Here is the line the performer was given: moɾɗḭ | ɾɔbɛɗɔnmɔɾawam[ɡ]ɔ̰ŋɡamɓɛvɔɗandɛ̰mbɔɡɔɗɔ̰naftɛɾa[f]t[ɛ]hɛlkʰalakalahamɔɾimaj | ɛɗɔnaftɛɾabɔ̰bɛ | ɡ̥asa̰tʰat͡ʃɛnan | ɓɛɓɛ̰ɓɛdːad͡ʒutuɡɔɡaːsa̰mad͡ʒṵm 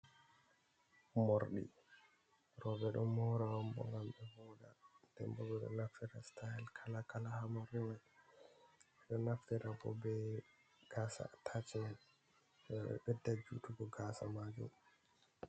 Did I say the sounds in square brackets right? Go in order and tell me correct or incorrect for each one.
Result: incorrect, incorrect, incorrect

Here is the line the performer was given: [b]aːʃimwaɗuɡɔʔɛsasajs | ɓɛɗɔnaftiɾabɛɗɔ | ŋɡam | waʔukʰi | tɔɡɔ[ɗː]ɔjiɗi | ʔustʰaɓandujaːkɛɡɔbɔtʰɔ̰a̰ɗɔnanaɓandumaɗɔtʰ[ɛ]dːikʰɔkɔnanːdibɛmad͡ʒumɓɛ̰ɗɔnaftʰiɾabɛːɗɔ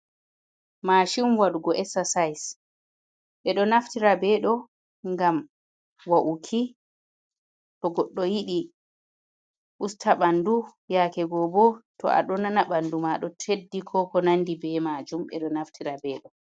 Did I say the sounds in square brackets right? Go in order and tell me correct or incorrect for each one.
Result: incorrect, correct, incorrect

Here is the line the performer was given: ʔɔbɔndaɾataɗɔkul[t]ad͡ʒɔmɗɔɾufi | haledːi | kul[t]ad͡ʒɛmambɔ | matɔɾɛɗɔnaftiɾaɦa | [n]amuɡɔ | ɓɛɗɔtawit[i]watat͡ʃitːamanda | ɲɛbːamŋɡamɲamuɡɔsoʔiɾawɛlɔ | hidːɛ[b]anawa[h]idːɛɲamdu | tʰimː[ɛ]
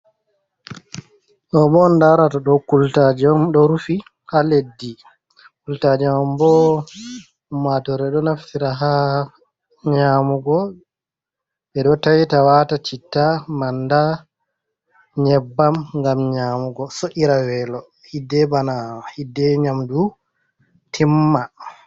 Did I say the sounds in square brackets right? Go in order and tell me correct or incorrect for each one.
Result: correct, correct, incorrect, incorrect, correct, correct, incorrect

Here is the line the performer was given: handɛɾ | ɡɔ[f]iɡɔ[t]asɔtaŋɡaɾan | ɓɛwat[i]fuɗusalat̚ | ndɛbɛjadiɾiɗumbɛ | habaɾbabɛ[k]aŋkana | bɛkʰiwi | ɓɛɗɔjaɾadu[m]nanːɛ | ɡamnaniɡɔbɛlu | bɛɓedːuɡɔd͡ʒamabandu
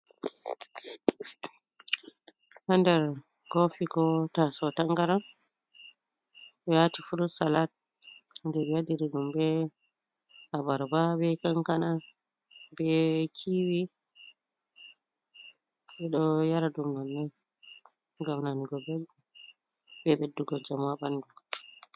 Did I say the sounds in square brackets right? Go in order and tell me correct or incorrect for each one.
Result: correct, correct, correct, correct, correct

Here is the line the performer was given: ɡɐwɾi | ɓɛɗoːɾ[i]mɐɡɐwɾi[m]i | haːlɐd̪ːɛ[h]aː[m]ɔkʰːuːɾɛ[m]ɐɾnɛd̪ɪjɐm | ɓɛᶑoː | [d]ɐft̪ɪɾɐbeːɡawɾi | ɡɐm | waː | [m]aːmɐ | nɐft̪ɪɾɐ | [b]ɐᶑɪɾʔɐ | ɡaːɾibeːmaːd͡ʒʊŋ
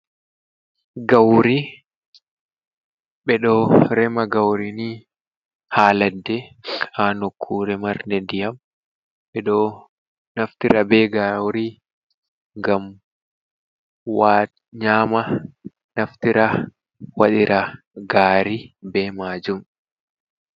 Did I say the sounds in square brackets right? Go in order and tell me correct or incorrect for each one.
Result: incorrect, incorrect, correct, incorrect, correct, incorrect, incorrect, incorrect

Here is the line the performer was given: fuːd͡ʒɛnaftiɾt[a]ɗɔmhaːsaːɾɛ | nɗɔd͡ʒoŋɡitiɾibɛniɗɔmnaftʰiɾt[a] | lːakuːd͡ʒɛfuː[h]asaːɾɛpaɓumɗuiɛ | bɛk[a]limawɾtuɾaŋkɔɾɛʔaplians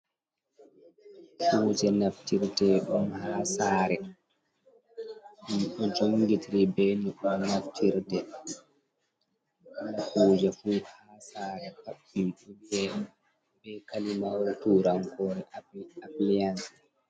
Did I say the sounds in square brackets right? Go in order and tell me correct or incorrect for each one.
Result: incorrect, incorrect, correct, correct

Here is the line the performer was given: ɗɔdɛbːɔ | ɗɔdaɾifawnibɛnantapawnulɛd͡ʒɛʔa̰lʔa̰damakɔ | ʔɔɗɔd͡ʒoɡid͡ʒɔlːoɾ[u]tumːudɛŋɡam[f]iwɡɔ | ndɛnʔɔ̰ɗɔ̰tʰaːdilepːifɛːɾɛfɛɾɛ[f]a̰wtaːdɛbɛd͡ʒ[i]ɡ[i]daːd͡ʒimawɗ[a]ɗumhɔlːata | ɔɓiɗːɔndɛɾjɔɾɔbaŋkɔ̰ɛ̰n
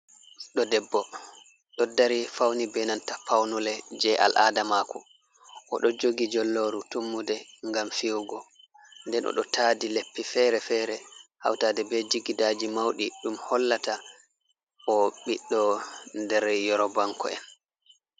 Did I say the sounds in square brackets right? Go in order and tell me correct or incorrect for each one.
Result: correct, correct, incorrect, correct, correct, incorrect

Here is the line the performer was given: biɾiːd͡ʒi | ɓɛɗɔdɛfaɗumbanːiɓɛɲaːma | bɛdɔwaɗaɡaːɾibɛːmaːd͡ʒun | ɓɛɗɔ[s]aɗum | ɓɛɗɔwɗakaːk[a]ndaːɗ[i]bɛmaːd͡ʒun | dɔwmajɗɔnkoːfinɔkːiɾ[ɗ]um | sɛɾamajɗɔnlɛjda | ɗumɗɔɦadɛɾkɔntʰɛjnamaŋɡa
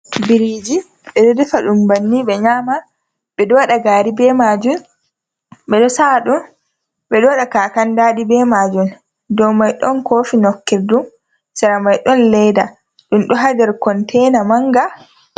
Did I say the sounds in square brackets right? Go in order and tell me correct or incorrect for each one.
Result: correct, correct, correct, incorrect

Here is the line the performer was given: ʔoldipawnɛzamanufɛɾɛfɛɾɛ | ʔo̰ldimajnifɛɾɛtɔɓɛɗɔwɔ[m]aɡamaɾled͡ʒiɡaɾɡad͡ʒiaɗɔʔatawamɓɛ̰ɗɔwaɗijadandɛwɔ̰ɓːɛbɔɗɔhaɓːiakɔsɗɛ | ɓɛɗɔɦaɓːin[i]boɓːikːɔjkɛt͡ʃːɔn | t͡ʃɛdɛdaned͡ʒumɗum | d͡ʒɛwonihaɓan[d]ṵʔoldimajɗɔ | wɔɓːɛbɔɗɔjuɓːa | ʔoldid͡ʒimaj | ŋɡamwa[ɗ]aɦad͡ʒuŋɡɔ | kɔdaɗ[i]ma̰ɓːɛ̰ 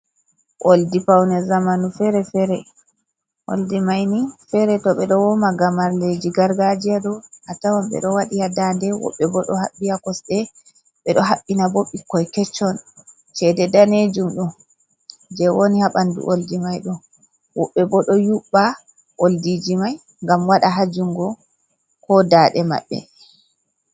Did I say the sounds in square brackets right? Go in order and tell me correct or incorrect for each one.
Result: correct, incorrect, correct, correct, incorrect

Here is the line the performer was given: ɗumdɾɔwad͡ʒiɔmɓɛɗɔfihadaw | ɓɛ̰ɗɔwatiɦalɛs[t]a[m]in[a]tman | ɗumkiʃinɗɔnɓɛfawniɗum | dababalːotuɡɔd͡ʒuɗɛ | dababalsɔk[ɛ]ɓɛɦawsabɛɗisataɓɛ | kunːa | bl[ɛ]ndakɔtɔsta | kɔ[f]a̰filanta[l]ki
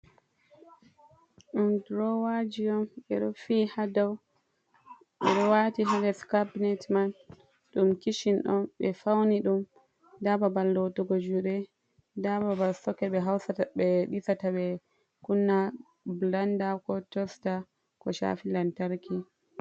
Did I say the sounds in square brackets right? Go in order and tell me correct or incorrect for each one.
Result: incorrect, incorrect, incorrect, correct, incorrect, incorrect, incorrect

